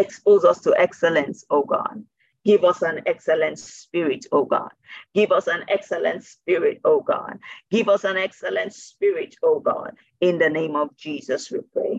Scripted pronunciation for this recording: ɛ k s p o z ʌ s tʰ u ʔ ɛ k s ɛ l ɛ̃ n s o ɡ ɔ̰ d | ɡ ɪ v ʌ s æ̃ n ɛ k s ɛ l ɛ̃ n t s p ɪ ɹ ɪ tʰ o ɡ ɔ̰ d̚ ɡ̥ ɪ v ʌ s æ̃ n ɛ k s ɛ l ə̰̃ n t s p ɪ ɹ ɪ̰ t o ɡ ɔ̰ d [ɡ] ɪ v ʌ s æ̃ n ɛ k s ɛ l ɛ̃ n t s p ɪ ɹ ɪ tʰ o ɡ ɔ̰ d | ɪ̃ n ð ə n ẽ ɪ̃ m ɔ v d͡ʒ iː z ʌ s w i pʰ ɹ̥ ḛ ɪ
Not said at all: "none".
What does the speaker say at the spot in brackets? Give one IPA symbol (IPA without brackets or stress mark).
ɡ